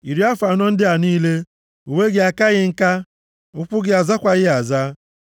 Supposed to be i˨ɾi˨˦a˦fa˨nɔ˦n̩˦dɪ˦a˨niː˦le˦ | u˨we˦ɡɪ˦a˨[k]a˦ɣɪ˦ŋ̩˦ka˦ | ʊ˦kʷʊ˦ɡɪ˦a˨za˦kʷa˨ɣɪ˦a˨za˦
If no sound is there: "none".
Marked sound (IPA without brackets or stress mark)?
k